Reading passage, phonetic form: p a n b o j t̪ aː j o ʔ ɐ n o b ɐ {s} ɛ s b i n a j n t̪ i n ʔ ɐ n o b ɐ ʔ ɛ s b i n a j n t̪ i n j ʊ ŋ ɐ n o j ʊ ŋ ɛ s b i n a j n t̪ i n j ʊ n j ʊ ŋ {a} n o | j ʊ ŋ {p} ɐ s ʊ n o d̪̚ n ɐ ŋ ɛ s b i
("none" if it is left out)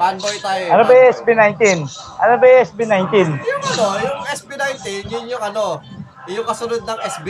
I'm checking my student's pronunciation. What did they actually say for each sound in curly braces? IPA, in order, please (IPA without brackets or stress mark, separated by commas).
none, ɐ, k